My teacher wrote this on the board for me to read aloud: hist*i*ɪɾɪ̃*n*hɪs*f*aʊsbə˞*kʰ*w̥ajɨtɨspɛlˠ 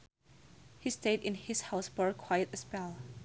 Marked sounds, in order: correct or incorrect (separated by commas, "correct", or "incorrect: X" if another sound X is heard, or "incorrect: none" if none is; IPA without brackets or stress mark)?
incorrect: e, correct, incorrect: h, correct